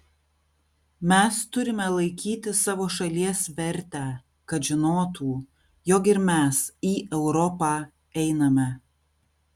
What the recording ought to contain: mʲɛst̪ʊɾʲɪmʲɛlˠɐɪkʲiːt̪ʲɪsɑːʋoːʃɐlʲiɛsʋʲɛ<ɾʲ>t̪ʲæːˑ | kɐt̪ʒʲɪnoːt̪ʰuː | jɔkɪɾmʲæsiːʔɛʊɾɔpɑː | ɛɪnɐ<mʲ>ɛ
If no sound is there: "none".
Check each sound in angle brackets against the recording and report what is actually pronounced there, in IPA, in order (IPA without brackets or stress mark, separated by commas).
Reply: ɾʲ, mʲ